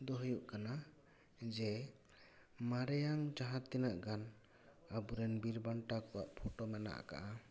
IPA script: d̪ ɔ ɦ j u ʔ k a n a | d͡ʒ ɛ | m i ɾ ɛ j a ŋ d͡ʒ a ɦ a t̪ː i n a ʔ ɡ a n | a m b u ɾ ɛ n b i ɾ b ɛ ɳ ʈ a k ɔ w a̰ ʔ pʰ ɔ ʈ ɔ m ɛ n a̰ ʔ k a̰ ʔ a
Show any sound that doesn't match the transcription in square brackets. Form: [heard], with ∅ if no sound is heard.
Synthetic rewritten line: d̪ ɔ ɦ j u ʔ k a n a | d͡ʒ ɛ | m [a] ɾ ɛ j a ŋ d͡ʒ a ɦ a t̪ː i n a ʔ ɡ a n | a [∅] b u ɾ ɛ n b i ɾ b [a] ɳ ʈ a k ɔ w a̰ ʔ pʰ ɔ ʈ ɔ m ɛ n a̰ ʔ k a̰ ʔ a